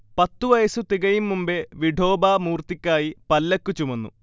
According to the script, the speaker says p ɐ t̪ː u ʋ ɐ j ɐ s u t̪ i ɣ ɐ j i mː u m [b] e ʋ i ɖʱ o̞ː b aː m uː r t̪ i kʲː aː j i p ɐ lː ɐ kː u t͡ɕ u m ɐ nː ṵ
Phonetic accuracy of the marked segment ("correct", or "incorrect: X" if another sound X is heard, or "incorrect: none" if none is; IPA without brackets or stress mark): correct